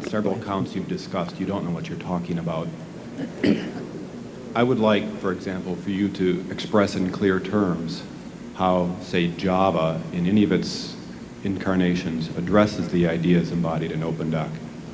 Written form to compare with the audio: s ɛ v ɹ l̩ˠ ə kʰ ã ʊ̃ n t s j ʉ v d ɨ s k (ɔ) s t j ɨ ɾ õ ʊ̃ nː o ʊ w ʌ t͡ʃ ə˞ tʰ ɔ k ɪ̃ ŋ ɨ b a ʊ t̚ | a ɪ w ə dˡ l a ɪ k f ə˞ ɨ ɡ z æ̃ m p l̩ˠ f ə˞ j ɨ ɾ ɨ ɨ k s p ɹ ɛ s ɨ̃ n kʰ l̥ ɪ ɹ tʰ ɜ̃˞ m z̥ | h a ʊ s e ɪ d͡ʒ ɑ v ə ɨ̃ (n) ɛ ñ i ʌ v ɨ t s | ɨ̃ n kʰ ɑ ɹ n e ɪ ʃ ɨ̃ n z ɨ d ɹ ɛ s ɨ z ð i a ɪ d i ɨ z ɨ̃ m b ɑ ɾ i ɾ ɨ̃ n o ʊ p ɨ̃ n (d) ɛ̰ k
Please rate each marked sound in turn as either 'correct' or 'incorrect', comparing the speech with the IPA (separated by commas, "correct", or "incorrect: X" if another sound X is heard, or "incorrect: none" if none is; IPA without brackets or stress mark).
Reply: incorrect: ʌ, correct, correct